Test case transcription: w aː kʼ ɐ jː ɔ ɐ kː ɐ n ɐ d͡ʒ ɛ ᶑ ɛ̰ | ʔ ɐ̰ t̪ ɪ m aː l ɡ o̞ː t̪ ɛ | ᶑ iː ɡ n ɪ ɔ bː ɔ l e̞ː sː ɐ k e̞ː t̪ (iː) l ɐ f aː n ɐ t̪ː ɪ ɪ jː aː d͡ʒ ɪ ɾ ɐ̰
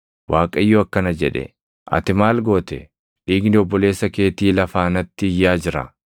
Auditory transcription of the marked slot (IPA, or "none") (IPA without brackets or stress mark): iː